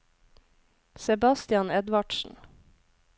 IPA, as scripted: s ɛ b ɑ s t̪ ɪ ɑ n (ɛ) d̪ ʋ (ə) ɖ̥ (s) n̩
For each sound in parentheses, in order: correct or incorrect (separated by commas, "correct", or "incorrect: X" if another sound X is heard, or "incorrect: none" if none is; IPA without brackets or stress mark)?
correct, incorrect: ɑ, incorrect: ʃ